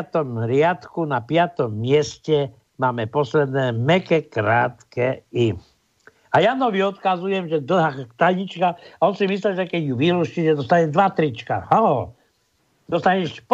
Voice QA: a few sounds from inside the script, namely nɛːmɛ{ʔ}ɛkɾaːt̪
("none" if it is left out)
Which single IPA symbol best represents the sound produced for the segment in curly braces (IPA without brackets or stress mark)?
k